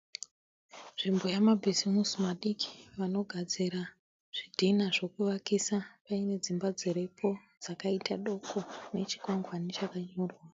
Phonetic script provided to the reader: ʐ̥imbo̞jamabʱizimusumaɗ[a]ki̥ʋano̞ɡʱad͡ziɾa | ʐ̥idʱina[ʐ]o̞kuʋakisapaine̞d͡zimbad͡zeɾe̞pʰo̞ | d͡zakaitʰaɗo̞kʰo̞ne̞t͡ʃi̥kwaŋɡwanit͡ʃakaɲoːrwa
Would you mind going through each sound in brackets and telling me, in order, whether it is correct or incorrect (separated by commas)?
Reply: incorrect, correct